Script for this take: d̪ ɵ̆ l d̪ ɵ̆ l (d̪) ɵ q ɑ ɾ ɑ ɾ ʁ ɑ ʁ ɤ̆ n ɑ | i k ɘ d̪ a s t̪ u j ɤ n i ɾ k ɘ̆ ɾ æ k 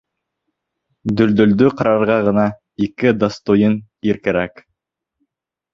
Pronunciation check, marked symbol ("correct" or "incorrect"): correct